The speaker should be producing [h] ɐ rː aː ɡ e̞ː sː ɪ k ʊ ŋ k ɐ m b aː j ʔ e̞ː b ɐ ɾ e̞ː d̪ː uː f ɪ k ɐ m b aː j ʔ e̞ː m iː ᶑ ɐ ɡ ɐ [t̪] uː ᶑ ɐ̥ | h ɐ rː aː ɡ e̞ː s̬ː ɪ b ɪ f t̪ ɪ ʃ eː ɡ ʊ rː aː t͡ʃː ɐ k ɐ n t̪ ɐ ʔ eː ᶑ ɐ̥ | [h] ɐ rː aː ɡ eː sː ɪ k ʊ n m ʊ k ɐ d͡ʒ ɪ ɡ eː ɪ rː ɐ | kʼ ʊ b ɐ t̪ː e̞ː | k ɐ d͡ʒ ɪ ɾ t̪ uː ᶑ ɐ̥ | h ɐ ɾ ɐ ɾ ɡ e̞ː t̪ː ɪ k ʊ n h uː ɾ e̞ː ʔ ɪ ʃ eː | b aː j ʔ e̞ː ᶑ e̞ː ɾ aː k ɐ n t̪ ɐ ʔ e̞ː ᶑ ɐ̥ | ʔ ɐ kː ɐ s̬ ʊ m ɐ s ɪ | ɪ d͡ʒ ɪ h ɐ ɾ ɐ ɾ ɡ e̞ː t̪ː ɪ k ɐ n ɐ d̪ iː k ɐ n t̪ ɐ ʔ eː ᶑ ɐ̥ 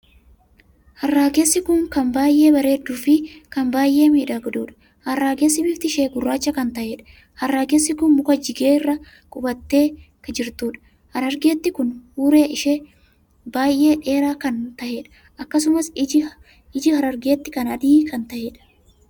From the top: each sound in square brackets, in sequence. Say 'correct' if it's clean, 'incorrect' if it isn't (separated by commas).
correct, incorrect, correct